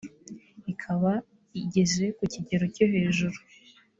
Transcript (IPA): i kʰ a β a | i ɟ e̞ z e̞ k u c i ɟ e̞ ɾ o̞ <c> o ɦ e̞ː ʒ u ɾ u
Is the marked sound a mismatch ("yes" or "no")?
no